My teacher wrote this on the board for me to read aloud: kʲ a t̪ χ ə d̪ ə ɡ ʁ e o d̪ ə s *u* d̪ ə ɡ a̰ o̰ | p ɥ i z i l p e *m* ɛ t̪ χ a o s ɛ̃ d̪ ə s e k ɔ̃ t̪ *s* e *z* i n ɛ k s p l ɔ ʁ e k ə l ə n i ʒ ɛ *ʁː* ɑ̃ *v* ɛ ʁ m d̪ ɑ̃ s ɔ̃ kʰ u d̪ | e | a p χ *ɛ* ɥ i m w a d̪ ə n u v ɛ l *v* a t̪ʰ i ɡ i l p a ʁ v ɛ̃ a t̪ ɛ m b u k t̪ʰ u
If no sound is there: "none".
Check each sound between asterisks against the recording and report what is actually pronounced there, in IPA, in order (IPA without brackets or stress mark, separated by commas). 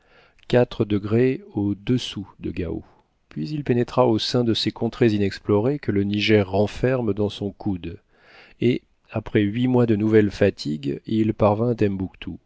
u, n, χ, z, ʁː, f, ɛ, f